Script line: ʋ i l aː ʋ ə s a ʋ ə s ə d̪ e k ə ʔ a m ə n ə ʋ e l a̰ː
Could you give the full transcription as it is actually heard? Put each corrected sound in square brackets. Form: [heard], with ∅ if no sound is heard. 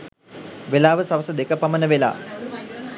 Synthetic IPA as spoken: ʋ [e] l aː ʋ ə s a ʋ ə s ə d̪ e k ə [p] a m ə n ə ʋ e l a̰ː